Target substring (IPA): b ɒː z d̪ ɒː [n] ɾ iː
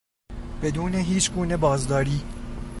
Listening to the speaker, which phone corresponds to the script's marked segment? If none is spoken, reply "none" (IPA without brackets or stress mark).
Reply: none